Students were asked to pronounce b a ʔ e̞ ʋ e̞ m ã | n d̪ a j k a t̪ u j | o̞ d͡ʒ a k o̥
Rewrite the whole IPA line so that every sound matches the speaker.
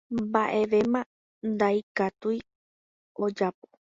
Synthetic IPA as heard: b a ʔ e̞ ʋ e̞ m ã | n d̪ a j k a t̪ u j | o̞ d͡ʒ a p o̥